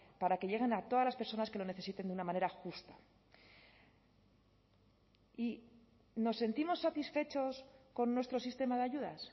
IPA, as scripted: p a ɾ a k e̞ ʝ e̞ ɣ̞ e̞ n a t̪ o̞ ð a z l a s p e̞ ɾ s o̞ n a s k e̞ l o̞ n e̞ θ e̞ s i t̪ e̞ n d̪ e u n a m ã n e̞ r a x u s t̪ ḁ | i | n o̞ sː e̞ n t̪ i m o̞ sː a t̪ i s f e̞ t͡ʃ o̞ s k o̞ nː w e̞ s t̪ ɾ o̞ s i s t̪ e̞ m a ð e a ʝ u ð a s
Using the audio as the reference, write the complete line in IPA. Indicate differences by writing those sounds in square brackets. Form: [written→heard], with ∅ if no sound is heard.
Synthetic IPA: p a ɾ a k e̞ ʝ e̞ ɣ̞ e̞ n a t̪ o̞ ð a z l a s p e̞ ɾ s o̞ n a s k e̞ l o̞ n e̞ θ e̞ s i t̪ e̞ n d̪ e u n a m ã n e̞ [r→ɾ] a x u s t̪ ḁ | i | n o̞ sː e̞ n t̪ i m o̞ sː a t̪ i s f e̞ t͡ʃ o̞ s k o̞ nː w e̞ s t̪ ɾ o̞ s i s t̪ e̞ m a ð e a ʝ u ð a s